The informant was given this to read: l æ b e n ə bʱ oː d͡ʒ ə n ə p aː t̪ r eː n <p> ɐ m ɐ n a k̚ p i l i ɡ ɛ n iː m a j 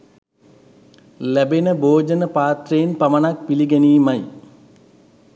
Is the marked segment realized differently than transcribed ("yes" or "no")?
no